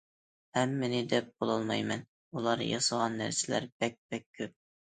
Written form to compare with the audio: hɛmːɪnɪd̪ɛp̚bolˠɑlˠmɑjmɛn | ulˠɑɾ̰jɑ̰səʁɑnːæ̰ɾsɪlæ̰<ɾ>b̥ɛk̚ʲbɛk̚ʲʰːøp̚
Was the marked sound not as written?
no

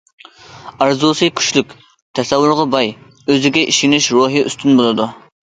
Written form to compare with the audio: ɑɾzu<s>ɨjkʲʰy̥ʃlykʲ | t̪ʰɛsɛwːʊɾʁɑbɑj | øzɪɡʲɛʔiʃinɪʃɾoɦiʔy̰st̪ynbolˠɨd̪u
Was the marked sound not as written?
no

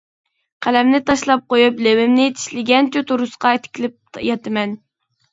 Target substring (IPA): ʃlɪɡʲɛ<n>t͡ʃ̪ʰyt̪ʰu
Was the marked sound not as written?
no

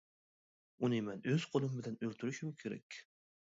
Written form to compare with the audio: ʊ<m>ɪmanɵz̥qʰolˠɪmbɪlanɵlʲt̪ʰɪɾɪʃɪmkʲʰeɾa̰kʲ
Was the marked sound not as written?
yes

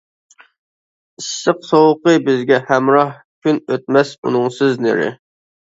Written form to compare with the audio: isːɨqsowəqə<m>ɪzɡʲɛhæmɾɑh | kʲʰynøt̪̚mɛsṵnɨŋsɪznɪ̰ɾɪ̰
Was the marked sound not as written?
yes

